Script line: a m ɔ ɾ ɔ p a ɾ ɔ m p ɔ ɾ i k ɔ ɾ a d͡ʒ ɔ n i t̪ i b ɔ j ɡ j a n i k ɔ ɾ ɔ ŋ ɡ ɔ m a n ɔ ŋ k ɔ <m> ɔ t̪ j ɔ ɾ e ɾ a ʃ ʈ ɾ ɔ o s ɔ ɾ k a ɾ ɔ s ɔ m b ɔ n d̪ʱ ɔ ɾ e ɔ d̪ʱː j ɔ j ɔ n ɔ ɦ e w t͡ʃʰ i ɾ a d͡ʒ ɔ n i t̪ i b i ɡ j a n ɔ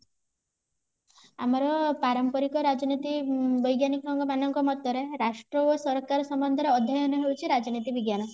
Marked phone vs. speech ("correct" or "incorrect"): correct